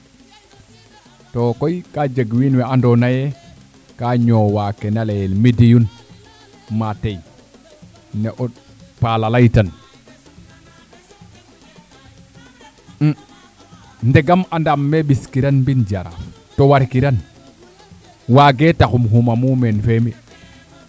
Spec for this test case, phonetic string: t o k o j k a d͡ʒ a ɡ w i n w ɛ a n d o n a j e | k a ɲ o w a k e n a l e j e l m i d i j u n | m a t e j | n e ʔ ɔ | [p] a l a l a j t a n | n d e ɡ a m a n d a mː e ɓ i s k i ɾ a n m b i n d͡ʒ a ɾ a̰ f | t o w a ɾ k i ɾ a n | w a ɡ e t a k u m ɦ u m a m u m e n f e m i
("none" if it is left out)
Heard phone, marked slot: p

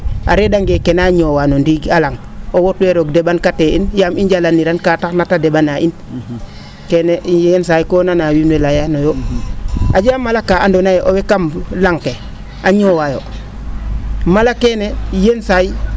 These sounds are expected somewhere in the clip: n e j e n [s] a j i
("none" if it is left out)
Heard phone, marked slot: s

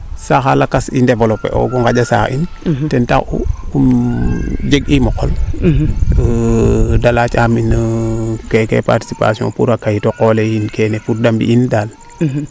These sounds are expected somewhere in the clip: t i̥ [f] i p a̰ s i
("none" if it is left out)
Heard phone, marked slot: s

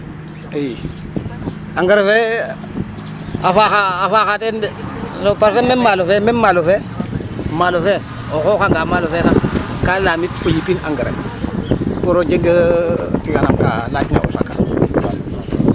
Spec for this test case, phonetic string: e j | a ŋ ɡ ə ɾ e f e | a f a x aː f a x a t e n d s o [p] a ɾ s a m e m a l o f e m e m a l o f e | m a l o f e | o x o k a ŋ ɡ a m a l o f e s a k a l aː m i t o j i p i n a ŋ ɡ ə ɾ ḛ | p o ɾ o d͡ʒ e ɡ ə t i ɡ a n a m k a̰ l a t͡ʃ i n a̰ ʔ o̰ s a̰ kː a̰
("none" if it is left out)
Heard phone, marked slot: p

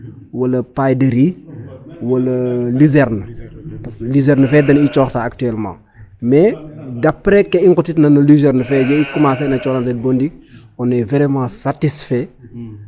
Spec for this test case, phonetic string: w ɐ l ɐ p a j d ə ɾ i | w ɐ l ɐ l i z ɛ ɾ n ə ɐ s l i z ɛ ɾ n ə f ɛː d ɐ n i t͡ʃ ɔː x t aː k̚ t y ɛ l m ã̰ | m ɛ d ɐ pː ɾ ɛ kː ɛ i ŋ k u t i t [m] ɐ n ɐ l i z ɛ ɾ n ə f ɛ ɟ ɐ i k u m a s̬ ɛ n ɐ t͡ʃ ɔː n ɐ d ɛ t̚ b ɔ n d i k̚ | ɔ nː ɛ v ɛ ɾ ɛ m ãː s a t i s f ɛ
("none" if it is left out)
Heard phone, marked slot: n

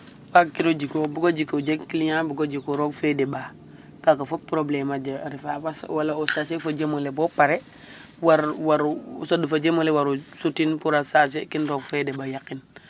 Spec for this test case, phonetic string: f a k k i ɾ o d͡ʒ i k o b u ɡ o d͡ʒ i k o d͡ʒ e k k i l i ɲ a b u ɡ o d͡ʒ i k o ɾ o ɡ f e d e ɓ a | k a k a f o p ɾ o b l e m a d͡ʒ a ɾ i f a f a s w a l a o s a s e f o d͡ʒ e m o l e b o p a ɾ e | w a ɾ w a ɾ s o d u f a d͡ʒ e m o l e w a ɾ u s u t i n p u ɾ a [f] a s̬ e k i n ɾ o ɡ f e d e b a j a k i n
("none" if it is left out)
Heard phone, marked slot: s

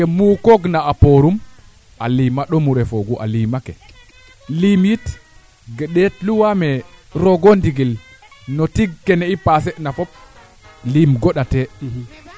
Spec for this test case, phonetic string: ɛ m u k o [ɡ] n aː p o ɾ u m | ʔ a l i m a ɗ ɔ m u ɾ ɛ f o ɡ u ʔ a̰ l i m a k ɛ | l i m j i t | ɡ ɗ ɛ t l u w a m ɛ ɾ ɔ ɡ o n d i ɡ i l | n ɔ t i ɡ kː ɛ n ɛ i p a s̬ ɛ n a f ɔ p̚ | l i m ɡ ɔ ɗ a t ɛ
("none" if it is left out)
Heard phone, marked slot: ɡ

